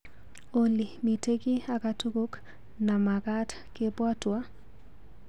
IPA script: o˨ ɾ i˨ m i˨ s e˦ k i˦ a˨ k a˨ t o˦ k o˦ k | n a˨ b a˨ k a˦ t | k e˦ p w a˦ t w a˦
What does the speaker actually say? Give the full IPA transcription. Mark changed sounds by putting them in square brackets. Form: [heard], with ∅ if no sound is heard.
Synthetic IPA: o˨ [l] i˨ m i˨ [t] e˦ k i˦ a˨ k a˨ t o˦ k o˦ k | n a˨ [m] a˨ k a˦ t | k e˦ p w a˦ t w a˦